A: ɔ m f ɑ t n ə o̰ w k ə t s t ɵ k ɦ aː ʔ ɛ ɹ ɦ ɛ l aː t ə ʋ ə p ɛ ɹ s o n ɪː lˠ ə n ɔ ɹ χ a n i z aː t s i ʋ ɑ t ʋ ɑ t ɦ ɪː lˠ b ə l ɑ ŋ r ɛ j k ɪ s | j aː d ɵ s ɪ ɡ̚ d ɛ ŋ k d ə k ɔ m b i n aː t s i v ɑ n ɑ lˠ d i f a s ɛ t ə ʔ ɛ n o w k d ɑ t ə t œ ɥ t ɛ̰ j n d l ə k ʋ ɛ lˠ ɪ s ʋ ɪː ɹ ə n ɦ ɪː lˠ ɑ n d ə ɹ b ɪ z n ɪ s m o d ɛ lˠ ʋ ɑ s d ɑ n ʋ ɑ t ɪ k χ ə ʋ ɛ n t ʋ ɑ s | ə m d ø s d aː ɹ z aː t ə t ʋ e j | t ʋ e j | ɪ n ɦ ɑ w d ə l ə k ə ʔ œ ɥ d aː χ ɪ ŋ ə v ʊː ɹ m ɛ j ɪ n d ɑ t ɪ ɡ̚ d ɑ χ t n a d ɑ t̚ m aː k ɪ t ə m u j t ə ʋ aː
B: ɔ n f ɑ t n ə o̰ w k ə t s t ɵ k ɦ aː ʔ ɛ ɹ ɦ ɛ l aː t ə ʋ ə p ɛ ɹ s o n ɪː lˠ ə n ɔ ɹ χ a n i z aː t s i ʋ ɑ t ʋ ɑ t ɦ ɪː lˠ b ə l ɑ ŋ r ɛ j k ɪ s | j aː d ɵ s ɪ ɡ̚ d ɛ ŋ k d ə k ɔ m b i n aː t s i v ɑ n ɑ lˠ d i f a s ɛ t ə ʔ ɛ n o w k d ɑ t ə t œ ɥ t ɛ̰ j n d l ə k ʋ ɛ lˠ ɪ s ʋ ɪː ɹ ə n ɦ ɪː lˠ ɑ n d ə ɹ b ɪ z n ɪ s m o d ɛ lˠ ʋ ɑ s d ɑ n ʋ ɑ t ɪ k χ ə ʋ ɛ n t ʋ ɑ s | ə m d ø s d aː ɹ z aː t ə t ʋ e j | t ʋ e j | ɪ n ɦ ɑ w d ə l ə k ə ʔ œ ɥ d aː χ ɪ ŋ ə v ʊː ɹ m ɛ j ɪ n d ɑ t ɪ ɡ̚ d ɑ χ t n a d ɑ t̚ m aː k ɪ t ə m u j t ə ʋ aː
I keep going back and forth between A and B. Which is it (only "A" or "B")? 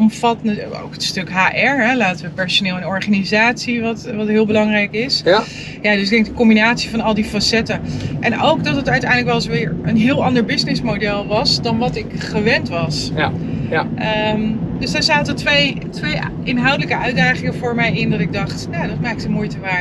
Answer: A